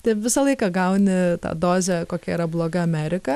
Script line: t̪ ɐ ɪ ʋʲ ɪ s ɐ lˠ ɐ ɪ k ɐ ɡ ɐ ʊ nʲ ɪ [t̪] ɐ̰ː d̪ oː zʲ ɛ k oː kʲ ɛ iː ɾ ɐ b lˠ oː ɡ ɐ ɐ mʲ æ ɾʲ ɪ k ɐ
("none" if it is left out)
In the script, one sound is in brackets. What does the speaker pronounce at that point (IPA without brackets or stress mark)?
t̪